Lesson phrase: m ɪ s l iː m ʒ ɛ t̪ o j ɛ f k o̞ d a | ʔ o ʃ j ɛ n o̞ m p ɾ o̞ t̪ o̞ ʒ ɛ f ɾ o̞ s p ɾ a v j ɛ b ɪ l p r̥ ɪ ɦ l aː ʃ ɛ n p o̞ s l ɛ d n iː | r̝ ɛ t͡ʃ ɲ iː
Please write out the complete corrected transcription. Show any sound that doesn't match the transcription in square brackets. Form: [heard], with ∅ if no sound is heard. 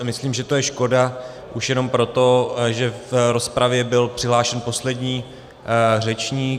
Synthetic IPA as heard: m ɪ s l iː m ʒ ɛ t̪ o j ɛ [ʃ] k o̞ d a | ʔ [u] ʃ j ɛ n o̞ m p ɾ o̞ t̪ o̞ ʒ ɛ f ɾ o̞ s p ɾ a v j ɛ b ɪ l p r̥ ɪ ɦ l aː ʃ ɛ n p o̞ s l ɛ d [ɲ] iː | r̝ ɛ t͡ʃ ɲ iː